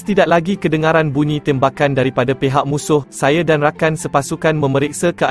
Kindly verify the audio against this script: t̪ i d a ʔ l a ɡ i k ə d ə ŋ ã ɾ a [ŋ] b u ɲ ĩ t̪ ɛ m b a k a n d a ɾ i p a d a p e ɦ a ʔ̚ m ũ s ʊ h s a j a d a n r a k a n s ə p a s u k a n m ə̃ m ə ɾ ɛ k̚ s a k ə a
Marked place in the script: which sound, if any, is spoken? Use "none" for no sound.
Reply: n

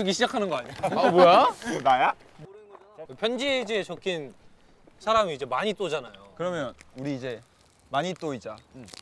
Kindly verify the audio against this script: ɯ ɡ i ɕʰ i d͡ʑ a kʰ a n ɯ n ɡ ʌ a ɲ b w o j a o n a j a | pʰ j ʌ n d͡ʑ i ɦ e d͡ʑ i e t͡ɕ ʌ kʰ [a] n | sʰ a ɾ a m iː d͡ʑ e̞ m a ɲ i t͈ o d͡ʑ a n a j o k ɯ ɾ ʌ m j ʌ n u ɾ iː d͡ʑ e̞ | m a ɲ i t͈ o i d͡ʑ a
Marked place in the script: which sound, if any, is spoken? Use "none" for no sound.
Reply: i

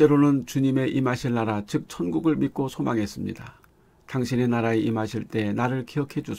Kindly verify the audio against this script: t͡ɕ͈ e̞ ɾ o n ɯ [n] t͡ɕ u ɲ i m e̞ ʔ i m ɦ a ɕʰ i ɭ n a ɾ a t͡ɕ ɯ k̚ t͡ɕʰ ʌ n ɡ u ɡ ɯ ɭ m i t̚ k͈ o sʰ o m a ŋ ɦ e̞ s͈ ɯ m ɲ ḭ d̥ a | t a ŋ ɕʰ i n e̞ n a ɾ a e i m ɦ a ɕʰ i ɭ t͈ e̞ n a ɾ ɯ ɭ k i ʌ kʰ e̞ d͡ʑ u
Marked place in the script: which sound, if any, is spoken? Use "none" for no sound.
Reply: n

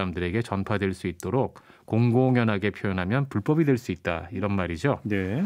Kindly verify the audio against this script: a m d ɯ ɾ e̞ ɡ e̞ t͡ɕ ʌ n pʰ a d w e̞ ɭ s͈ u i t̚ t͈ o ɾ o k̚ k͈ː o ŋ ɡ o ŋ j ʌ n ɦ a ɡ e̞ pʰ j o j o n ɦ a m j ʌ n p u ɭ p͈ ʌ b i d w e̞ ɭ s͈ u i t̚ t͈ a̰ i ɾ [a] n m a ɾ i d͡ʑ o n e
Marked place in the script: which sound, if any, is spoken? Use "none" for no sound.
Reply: ʌ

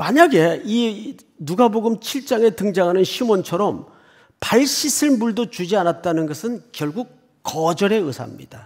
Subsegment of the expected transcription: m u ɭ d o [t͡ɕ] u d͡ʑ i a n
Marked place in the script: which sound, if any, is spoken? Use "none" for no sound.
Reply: t͡ɕ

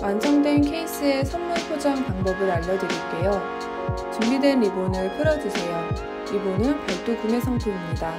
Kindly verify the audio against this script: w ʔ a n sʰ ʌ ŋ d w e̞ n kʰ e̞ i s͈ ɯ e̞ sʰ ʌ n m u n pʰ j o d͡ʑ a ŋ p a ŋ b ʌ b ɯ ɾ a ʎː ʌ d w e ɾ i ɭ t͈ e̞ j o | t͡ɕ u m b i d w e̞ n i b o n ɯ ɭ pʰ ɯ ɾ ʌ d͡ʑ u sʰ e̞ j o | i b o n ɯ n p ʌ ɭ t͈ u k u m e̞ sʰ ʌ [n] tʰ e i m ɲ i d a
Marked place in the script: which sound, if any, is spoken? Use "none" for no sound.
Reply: ŋ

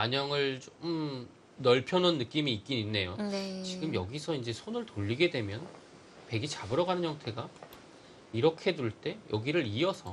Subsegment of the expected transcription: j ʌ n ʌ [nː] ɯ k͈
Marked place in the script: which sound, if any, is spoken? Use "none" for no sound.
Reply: nː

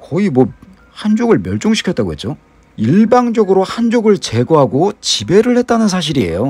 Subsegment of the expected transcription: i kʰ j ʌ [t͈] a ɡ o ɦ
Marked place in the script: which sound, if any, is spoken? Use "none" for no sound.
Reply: t͈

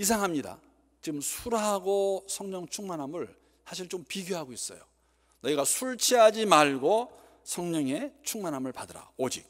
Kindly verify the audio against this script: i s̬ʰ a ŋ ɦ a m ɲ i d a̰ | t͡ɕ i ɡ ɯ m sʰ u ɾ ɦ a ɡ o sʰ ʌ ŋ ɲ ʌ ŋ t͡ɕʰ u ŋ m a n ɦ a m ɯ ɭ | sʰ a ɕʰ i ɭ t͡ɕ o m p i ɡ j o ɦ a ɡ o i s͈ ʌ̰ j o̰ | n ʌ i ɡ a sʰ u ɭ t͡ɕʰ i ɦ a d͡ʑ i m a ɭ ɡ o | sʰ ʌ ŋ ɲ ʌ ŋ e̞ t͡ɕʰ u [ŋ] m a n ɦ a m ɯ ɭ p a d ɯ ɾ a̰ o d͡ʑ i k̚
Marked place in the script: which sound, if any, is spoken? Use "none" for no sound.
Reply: ŋ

